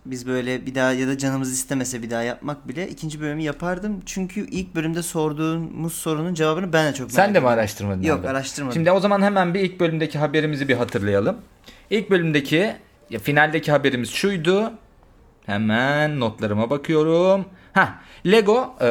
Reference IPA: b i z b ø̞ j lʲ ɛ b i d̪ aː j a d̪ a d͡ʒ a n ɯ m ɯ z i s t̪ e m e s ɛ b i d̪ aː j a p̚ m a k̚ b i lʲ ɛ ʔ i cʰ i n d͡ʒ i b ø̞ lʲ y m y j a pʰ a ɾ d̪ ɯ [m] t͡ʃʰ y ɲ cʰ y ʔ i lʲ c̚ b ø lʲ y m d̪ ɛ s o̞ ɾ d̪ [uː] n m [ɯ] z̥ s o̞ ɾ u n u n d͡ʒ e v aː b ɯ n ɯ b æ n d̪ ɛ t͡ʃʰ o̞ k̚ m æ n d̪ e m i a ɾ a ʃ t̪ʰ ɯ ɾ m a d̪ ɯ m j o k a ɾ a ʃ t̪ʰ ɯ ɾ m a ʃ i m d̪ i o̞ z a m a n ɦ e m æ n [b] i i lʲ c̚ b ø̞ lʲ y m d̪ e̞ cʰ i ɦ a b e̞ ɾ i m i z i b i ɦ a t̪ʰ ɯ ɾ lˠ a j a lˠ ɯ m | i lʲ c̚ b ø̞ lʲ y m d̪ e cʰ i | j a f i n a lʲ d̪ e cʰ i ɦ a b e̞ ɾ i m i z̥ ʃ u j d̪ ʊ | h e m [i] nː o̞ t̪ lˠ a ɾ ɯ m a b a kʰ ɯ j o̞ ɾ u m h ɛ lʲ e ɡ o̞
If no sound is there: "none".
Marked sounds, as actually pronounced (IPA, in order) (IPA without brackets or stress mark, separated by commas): m, uː, u, b, æ